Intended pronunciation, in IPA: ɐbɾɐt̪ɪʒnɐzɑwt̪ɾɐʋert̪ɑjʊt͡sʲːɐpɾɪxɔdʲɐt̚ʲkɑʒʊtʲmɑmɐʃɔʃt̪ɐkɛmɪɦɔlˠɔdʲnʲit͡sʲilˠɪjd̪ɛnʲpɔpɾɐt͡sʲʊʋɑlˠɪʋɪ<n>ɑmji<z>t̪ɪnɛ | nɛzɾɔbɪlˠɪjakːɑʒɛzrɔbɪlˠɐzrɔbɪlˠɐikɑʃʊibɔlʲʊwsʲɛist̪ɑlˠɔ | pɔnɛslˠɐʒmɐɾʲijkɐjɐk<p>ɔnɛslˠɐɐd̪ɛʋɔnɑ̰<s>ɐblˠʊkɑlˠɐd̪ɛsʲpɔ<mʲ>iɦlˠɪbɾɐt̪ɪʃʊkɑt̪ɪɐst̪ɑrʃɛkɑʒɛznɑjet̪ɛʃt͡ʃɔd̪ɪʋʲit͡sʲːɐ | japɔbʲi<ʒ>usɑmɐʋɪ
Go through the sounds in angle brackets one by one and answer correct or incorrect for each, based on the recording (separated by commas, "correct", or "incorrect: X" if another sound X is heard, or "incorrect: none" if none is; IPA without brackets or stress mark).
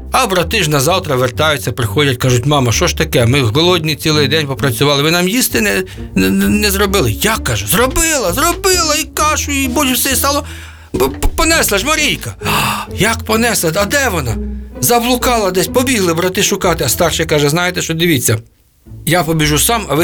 correct, incorrect: s, correct, incorrect: z, incorrect: bʲ, correct